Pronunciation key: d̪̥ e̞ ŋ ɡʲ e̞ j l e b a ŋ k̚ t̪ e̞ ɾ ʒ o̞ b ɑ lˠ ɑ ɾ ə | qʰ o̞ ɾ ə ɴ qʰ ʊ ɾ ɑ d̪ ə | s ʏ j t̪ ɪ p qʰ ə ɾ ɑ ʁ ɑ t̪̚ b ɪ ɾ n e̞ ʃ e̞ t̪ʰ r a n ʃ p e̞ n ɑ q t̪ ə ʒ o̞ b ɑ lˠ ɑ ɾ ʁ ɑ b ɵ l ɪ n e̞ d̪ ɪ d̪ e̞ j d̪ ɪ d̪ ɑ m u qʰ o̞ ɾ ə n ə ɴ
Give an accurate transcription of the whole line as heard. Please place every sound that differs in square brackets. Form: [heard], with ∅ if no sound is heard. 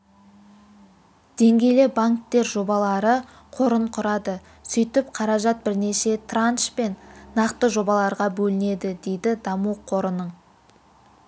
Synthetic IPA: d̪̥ e̞ ŋ ɡʲ e̞ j l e b a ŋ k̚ t̪ e̞ ɾ ʒ o̞ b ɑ lˠ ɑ ɾ ə | qʰ o̞ ɾ ə ɴ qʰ ʊ ɾ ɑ d̪ ə | s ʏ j t̪ ɪ p qʰ [ɑ] ɾ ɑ [ʒ] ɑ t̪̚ b ɪ ɾ n e̞ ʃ e̞ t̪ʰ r a n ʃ p e̞ [nː] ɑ q t̪ ə ʒ o̞ b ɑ lˠ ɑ ɾ ʁ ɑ b ɵ l ɪ n e̞ d̪ ɪ d̪ e̞ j d̪ ɪ d̪ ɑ m u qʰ o̞ ɾ ə n ə ɴ